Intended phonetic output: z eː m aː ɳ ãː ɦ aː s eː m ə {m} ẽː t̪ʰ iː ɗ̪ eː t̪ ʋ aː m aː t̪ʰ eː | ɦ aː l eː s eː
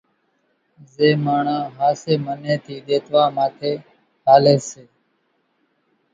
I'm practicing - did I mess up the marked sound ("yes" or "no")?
yes